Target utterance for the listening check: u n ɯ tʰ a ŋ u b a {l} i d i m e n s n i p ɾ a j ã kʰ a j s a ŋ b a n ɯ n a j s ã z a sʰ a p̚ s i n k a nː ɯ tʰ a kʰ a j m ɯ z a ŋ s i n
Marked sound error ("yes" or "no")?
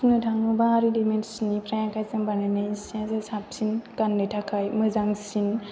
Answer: yes